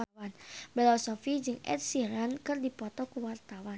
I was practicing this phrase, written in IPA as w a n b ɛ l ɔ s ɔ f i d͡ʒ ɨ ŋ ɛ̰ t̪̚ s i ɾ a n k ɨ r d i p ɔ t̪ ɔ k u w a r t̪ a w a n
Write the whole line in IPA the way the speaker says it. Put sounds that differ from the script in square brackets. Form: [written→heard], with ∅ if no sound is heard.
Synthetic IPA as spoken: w a n b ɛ l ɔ s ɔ f i d͡ʒ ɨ ŋ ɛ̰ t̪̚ s i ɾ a n k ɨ r d i p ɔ t̪ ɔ k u w a r t̪ a w a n